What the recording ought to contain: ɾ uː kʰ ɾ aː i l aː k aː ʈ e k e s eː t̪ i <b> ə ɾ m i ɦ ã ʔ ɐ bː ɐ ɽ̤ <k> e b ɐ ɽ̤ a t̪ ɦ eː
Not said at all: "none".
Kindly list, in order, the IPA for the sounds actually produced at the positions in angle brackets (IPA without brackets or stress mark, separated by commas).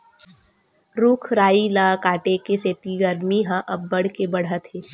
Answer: ɡ, k